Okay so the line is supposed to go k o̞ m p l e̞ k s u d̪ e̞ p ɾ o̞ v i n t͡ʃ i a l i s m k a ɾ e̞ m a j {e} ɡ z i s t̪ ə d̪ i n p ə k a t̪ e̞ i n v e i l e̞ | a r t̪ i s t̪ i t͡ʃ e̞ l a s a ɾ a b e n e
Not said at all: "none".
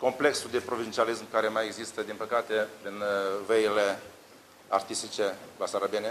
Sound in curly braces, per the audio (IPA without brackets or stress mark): e